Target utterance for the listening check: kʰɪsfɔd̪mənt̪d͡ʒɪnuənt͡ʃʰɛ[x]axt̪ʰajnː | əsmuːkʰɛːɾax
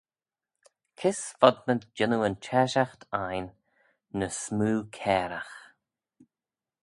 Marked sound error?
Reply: yes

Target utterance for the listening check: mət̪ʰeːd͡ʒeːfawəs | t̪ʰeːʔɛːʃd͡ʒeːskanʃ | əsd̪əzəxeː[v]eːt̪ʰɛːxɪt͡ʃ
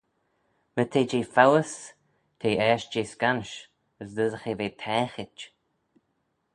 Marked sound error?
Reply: no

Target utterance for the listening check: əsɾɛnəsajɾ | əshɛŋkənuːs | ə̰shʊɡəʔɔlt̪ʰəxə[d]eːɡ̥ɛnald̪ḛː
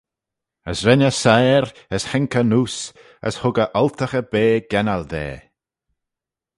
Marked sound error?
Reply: yes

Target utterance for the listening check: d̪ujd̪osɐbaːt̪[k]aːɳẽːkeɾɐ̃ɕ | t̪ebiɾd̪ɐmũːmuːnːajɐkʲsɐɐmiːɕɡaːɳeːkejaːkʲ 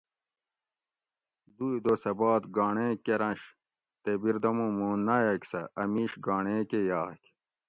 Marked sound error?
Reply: yes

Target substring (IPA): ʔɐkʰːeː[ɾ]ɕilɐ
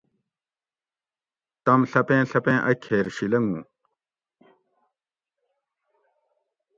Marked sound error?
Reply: no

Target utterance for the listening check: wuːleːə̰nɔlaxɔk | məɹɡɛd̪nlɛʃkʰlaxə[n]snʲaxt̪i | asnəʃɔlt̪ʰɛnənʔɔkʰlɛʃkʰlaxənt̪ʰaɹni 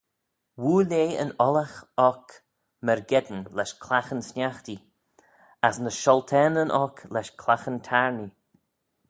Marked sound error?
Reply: no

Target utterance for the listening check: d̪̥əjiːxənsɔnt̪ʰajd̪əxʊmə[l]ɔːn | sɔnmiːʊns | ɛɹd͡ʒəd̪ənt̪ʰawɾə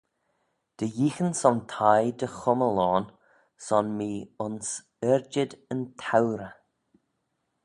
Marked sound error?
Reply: no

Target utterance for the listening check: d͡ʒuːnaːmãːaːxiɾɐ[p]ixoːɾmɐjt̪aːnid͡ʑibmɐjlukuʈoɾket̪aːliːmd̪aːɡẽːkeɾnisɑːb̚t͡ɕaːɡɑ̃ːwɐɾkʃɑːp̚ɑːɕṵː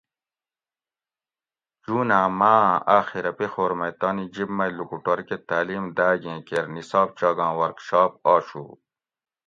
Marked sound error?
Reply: no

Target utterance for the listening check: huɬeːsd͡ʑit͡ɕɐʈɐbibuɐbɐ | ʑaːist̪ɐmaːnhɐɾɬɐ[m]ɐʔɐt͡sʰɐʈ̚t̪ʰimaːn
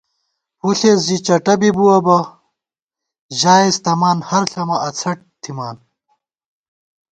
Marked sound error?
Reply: no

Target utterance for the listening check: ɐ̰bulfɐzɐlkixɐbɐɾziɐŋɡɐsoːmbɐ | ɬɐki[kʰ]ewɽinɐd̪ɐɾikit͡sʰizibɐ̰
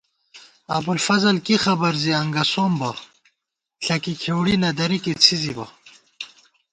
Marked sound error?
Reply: no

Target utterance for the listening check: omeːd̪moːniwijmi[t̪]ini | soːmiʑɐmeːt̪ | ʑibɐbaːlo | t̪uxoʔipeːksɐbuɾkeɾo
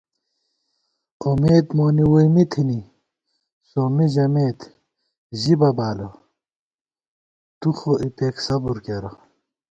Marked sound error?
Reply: yes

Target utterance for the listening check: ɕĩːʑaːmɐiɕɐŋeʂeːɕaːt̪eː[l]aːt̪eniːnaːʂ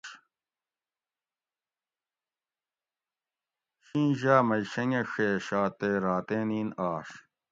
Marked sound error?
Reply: yes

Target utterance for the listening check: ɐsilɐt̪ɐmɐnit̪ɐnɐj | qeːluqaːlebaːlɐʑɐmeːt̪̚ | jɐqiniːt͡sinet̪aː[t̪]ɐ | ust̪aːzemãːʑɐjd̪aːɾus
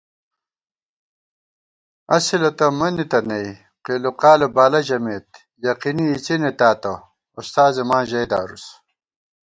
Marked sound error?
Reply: no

